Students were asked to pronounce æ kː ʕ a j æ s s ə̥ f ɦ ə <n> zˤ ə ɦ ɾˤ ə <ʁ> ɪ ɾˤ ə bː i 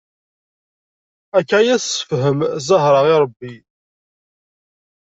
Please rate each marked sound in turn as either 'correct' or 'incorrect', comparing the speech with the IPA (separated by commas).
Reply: incorrect, correct